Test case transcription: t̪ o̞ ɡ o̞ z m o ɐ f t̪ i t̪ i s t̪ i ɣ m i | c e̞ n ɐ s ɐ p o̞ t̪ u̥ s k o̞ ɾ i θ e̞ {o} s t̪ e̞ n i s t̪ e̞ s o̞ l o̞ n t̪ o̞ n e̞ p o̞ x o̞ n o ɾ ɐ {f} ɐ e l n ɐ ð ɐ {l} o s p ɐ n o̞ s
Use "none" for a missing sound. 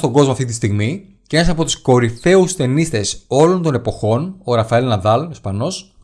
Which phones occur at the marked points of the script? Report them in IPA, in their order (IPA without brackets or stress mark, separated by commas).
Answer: u, f, l